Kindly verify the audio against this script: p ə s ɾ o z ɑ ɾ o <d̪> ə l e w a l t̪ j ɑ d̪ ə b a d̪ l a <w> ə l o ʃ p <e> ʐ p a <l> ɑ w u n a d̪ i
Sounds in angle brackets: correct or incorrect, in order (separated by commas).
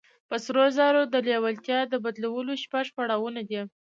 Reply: correct, correct, incorrect, incorrect